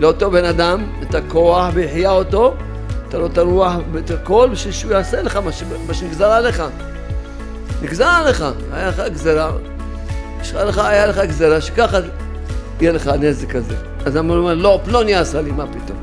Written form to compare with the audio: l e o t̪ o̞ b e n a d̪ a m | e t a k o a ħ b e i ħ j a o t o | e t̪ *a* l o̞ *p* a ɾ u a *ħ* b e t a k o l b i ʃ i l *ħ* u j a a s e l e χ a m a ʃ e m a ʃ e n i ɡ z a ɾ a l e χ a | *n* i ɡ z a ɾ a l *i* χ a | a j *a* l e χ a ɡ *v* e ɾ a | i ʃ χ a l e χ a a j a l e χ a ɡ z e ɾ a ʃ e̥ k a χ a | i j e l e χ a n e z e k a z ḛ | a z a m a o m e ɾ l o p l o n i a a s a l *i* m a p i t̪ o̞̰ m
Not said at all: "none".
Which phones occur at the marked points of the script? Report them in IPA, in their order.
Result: a, t, ħ, ʃ, n, e, a, z, i

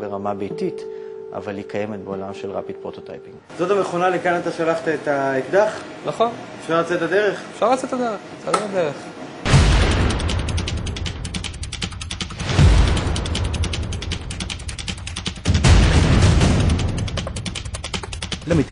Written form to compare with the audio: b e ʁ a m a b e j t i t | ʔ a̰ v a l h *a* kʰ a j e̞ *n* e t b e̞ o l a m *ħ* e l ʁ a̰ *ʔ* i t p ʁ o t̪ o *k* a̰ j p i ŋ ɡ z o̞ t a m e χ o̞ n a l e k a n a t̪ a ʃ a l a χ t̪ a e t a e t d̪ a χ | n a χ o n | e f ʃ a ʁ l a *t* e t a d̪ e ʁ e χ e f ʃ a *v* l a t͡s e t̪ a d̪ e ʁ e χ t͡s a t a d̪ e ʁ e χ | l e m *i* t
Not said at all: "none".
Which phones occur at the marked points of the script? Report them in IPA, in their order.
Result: i, m, ʃ, p, t, t͡s, ʁ, i

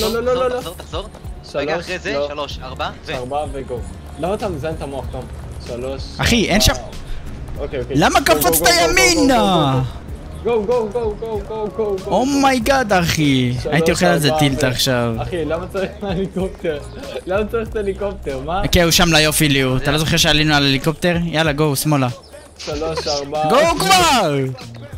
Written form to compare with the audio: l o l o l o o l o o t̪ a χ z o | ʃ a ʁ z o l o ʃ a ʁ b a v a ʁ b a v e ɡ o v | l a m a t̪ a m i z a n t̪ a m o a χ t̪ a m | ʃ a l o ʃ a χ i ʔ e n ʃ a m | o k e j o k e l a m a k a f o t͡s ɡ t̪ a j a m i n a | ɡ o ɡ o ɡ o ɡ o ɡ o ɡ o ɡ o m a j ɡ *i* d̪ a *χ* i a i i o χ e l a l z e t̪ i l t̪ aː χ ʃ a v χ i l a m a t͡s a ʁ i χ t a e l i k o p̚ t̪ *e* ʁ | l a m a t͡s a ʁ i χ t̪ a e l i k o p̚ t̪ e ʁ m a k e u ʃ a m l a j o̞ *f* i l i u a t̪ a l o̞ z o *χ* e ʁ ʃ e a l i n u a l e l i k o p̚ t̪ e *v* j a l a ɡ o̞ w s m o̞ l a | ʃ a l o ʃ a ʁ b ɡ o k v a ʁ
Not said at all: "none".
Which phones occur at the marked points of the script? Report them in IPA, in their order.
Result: a, χ, e, f, χ, ʁ

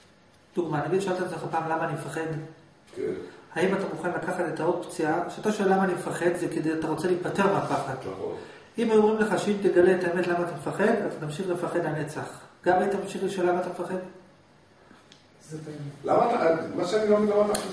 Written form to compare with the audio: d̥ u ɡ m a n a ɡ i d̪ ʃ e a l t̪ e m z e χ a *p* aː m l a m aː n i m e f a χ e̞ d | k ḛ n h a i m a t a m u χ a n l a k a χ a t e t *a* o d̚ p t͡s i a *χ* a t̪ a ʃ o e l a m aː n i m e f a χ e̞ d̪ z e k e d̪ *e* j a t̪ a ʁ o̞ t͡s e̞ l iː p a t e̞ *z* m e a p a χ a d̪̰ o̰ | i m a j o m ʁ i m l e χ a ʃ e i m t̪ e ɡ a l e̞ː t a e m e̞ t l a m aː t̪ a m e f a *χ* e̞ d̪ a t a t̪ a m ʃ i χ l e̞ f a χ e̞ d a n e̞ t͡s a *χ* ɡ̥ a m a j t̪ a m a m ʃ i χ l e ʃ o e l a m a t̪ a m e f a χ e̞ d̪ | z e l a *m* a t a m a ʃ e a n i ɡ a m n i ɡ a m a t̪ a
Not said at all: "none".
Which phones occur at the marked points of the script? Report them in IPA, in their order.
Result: p, a, ʃ, e, ʁ, χ, χ, m

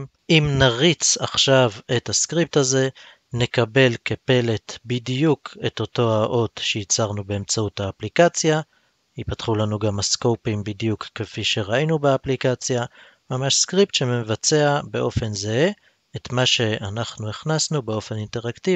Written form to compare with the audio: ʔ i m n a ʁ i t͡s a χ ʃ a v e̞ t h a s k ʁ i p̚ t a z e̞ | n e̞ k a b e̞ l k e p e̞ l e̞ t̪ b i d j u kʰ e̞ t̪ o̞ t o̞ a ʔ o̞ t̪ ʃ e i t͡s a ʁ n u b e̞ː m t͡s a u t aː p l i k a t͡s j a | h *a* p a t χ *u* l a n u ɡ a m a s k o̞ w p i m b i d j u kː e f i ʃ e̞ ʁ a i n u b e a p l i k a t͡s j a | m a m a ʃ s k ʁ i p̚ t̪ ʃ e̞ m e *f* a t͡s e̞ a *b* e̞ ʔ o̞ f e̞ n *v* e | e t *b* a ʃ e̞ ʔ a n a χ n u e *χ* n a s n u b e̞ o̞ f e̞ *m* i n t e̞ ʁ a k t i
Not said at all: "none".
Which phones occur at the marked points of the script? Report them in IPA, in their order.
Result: i, u, v, b, z, m, χ, n

